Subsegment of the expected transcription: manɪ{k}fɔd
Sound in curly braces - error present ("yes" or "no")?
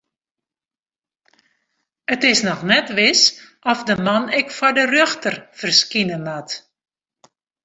no